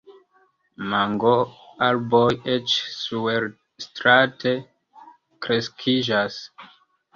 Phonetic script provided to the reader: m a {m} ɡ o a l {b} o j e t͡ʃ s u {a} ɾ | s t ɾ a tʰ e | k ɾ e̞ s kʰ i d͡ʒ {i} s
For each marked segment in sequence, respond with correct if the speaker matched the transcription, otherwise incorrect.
incorrect: ŋ, correct, incorrect: e, incorrect: a

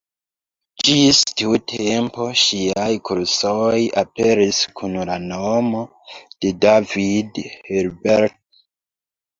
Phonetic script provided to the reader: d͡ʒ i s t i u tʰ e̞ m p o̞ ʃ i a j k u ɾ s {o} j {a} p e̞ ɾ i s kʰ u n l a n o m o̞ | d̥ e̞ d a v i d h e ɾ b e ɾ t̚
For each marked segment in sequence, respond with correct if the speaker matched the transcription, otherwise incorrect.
correct, correct

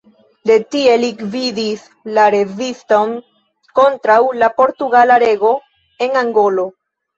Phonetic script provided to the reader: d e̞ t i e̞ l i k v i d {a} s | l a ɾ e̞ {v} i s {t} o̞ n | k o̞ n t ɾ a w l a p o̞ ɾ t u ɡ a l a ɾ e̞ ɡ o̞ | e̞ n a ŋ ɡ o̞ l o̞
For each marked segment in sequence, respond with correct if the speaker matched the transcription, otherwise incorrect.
incorrect: i, correct, correct

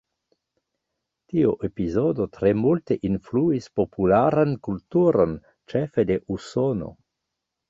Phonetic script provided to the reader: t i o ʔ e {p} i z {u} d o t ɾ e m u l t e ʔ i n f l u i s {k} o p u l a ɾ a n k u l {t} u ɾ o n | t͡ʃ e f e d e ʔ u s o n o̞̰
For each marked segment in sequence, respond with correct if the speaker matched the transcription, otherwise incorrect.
correct, incorrect: o, incorrect: p, correct

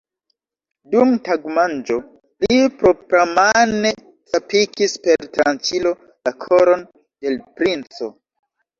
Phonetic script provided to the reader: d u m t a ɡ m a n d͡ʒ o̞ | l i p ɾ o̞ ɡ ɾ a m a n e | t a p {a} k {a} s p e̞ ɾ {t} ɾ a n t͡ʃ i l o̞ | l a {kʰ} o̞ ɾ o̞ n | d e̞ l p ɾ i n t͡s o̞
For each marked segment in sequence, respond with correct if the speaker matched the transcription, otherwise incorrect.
incorrect: i, incorrect: i, correct, correct

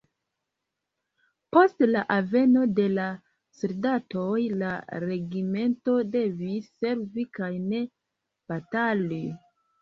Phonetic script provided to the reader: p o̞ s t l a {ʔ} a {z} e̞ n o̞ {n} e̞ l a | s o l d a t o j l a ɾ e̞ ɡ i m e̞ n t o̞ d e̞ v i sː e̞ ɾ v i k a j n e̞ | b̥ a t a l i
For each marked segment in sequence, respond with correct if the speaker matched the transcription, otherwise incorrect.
correct, incorrect: v, incorrect: d

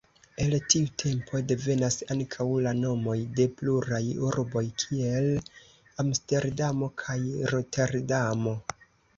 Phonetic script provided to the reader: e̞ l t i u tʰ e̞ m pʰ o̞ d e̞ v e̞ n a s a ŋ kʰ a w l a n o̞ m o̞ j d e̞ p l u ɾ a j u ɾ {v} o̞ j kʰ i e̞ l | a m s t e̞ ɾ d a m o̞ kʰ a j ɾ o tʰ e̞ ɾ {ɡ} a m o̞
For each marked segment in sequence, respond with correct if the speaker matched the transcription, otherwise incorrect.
incorrect: b, incorrect: d

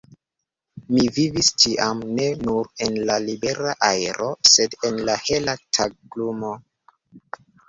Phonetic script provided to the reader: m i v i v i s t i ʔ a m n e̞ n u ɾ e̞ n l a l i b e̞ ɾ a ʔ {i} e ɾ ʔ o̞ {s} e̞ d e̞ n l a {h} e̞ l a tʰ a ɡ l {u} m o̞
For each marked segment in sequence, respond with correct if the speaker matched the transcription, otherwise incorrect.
incorrect: a, correct, correct, correct

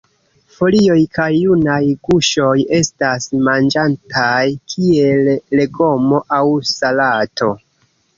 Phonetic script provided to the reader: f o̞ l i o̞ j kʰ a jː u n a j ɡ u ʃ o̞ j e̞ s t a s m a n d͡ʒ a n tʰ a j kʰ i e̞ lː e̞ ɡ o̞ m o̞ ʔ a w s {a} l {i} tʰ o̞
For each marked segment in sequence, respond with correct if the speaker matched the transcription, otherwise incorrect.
correct, incorrect: a

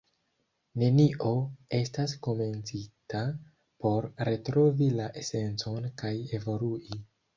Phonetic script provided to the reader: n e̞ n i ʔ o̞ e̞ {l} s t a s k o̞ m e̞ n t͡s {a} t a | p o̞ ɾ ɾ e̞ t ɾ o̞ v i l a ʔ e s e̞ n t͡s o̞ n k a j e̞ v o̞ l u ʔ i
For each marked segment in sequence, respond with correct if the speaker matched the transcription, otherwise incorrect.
incorrect: none, incorrect: i

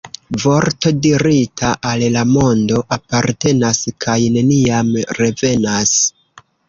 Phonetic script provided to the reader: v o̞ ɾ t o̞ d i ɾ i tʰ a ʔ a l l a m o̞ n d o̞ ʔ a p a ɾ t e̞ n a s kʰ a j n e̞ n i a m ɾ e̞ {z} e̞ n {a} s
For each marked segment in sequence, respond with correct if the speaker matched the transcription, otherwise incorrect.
incorrect: v, correct

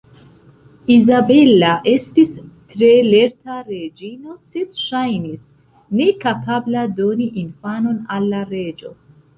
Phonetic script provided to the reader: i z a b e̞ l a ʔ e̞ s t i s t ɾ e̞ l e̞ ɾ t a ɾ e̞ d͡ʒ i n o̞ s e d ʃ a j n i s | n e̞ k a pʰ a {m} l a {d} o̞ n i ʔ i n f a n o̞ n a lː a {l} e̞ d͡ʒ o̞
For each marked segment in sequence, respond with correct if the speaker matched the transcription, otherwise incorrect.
incorrect: b, correct, incorrect: ɾ

